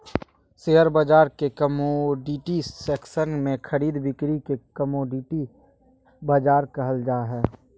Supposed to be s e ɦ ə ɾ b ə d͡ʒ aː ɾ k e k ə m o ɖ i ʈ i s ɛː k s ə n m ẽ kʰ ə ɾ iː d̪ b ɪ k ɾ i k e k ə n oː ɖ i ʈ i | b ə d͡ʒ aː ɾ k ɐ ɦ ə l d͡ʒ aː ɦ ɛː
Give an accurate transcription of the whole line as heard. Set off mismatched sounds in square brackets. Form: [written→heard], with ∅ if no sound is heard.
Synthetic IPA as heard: s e ɦ ə ɾ b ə d͡ʒ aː ɾ k e k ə m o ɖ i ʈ i s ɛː k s ə n m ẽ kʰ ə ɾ iː d̪ b ɪ k ɾ i k e k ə [n→m] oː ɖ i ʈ i | b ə d͡ʒ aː ɾ k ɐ ɦ ə l d͡ʒ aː ɦ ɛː